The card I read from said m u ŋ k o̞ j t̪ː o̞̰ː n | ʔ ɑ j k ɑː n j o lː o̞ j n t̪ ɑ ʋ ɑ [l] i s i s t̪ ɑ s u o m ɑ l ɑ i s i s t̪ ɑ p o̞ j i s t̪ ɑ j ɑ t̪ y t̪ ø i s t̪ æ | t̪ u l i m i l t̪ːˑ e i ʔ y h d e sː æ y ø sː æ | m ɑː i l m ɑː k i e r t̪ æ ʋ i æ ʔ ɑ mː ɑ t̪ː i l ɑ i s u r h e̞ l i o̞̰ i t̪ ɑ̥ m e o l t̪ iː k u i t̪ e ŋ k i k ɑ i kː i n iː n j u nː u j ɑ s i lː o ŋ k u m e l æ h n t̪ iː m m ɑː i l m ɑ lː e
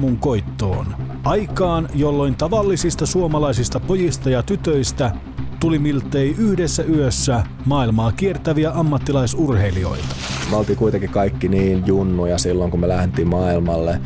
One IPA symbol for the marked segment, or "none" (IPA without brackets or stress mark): lː